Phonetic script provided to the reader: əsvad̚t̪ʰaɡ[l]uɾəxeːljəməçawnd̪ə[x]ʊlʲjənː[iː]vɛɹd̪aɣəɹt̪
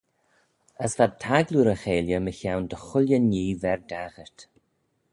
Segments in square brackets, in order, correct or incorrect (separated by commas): correct, correct, correct